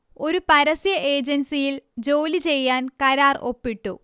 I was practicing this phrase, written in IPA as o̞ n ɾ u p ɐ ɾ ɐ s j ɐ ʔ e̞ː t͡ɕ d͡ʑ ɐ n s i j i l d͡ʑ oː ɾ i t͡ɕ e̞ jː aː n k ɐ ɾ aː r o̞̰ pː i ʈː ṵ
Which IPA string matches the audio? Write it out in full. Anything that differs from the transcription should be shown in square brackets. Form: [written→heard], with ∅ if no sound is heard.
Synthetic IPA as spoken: o̞ [n→∅] ɾ u p ɐ ɾ ɐ s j ɐ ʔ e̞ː [t͡ɕ→∅] d͡ʑ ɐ n s i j i l d͡ʑ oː [ɾ→l] i t͡ɕ e̞ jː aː n k ɐ ɾ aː r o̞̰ pː i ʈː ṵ

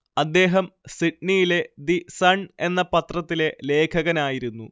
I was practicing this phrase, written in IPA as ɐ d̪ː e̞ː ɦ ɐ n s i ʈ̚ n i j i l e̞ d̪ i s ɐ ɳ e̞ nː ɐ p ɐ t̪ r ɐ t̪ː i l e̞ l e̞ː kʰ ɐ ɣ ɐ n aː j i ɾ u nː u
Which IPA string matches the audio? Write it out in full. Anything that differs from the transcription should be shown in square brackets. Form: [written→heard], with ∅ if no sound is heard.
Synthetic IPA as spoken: ɐ d̪ː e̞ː ɦ ɐ [n→m] s i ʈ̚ n i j i l e̞ d̪ i s ɐ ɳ e̞ nː ɐ p ɐ t̪ r ɐ t̪ː i l e̞ l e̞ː kʰ ɐ ɣ ɐ n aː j i ɾ u nː u

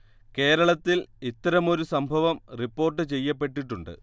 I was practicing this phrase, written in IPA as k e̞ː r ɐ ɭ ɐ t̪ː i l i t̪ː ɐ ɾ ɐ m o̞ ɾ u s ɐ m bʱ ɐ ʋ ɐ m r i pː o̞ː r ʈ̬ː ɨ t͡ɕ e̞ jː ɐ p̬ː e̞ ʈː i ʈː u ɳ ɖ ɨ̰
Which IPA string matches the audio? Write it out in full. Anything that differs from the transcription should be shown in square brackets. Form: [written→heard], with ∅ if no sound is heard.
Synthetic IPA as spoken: k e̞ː [r→ɾ] ɐ ɭ ɐ t̪ː i l i t̪ː ɐ ɾ ɐ m o̞ ɾ u s ɐ m bʱ ɐ ʋ ɐ m r i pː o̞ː r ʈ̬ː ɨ t͡ɕ e̞ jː ɐ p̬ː e̞ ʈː i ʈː u ɳ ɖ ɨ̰

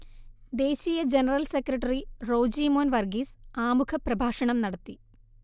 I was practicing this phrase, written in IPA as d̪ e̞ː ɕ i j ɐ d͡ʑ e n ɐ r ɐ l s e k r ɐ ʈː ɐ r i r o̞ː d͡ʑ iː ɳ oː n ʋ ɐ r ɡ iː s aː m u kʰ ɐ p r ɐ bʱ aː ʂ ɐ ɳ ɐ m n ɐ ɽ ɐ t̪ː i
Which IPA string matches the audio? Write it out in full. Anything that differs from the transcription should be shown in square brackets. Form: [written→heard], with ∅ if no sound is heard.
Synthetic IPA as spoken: d̪ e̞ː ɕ i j ɐ d͡ʑ e n ɐ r ɐ l s e k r ɐ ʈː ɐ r i r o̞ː d͡ʑ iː [ɳ→m] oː n ʋ ɐ r ɡ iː s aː m u kʰ ɐ p r ɐ bʱ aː ʂ ɐ ɳ ɐ m n ɐ ɽ ɐ t̪ː i

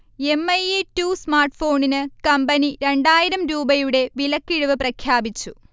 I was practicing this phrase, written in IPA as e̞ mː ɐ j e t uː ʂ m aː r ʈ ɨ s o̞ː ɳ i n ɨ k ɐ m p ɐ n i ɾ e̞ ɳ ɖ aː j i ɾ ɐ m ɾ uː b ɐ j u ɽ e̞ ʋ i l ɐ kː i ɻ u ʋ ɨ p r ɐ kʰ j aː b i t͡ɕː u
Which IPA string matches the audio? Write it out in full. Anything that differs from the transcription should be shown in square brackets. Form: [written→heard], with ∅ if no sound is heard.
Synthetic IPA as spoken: e̞ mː ɐ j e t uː [ʂ→s] m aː r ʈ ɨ [s→f] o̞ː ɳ i n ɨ k ɐ m [p→b] ɐ n i ɾ e̞ ɳ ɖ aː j i ɾ ɐ m ɾ uː b ɐ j u ɽ e̞ ʋ i l ɐ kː i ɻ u ʋ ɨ p r ɐ kʰ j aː b i t͡ɕː u

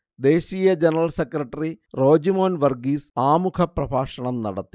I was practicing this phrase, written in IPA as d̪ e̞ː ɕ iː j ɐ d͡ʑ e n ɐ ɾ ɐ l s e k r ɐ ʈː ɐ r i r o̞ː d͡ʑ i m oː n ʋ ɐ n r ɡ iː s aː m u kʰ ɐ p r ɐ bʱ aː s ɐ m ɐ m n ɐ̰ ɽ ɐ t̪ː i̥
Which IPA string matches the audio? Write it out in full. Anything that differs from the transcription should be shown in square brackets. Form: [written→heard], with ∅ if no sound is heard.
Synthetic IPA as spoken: d̪ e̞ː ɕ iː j ɐ d͡ʑ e n ɐ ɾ ɐ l s e k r ɐ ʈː ɐ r i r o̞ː d͡ʑ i m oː n ʋ ɐ [n→∅] r ɡ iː s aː m u kʰ ɐ p r ɐ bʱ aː [s→ʂ] ɐ [m→ɳ] ɐ m n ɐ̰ ɽ ɐ t̪ː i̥

